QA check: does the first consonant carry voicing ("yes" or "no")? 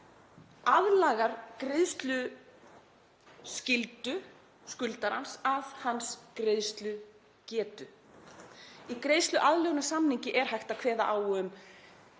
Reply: yes